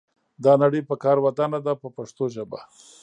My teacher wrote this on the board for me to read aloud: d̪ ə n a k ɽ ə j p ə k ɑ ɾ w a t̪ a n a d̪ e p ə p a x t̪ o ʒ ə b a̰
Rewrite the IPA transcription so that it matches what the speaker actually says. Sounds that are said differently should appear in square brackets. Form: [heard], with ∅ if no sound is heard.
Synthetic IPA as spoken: d̪ [ɑ] n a [∅] ɽ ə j p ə k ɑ ɾ w a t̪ a n a d̪ [a] p ə p a [ʂ] t̪ o ʒ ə b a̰